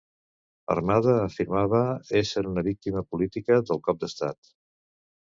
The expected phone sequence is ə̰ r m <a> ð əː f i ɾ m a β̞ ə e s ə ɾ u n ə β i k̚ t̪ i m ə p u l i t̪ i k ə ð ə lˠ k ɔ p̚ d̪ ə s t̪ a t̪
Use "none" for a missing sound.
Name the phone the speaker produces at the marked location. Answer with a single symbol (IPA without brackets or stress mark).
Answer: a